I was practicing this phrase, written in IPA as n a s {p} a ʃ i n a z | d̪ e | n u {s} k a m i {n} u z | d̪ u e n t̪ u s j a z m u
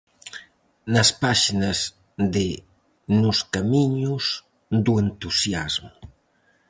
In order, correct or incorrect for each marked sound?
correct, correct, incorrect

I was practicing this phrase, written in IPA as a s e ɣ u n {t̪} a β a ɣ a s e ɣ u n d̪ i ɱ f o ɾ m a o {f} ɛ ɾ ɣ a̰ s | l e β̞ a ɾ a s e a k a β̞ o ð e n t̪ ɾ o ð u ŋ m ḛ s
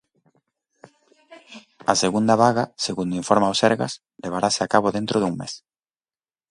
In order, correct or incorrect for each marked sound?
incorrect, incorrect

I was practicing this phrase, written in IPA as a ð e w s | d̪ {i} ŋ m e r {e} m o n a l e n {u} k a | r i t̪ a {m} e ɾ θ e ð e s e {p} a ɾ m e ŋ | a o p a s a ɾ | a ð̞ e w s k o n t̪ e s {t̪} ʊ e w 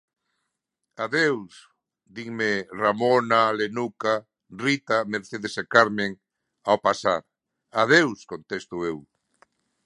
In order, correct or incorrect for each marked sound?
correct, incorrect, correct, correct, incorrect, correct

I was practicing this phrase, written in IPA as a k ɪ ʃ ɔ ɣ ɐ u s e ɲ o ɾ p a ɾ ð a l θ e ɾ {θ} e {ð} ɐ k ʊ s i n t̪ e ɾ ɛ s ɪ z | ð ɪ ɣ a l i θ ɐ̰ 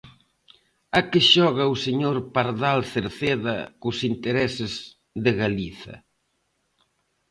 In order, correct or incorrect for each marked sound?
correct, correct

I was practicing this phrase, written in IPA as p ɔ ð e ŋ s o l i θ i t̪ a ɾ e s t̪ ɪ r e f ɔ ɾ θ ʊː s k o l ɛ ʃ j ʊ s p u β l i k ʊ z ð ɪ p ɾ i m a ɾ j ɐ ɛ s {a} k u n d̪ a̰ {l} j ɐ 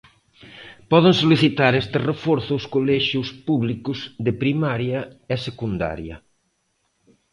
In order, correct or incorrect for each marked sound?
incorrect, incorrect

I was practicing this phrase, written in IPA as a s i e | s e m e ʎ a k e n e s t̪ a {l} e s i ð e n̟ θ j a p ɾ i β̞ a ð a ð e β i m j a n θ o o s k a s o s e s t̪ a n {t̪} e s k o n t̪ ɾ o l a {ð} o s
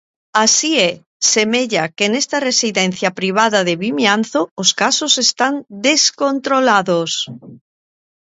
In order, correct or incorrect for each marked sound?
incorrect, incorrect, correct

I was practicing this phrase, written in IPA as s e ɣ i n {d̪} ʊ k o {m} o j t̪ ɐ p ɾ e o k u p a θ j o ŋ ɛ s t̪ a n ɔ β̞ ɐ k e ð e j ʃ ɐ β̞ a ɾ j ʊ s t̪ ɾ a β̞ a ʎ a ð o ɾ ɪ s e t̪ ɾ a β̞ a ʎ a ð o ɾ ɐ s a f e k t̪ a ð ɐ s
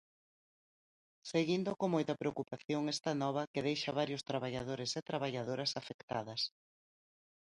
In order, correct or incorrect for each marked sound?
correct, correct

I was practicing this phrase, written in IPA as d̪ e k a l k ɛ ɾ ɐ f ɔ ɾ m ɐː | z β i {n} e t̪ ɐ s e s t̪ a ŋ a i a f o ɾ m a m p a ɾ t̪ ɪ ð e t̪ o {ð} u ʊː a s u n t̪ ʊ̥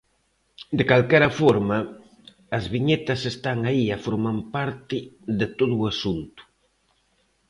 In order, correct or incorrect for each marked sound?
incorrect, correct

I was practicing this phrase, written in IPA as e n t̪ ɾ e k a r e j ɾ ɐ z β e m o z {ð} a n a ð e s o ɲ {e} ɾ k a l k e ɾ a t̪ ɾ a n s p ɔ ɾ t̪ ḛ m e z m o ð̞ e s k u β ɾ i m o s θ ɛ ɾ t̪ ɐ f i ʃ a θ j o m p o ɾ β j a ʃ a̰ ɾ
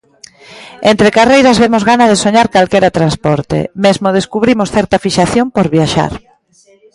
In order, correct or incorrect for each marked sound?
incorrect, incorrect

